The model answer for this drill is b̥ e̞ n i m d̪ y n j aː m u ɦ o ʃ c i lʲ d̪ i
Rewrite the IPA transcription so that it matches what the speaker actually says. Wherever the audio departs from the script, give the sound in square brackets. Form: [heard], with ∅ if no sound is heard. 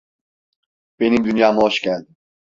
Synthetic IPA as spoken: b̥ e̞ n i m d̪ y n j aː m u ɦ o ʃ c [æ] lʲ d̪ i